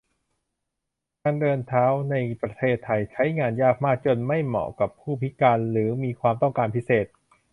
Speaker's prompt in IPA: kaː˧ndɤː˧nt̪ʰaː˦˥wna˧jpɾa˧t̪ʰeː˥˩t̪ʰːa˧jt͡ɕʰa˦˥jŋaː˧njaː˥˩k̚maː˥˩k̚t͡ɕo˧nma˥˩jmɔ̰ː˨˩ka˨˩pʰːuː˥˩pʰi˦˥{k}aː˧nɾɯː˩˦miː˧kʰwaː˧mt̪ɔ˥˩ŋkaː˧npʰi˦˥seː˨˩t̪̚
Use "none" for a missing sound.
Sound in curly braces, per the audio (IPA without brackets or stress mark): k